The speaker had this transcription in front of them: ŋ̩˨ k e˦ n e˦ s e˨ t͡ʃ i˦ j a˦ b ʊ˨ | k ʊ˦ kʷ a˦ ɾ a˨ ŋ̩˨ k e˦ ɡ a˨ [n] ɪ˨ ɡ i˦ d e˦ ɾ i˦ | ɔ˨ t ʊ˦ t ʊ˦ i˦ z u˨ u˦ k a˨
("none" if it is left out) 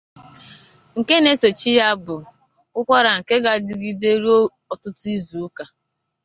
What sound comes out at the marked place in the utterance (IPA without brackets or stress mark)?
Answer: d